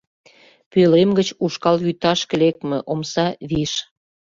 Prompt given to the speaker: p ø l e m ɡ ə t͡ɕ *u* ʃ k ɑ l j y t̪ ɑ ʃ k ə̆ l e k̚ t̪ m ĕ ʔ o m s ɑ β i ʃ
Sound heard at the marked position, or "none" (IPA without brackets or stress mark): u